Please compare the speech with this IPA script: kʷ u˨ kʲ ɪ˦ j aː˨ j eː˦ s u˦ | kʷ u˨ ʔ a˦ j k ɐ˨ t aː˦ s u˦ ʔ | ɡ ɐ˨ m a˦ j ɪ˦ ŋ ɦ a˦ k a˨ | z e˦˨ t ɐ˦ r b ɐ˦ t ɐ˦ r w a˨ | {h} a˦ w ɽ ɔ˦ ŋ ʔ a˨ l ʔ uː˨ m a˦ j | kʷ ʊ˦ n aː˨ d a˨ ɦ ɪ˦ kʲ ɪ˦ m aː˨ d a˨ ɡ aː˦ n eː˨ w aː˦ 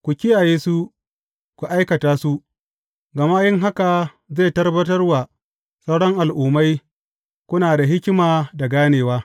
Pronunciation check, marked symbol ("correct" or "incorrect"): incorrect